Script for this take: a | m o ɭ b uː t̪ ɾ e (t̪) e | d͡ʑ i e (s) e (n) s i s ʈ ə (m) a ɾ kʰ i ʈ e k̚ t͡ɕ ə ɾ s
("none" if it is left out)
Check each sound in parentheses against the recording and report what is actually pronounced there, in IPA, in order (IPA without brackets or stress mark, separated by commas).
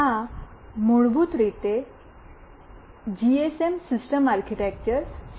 t̪, s, m, m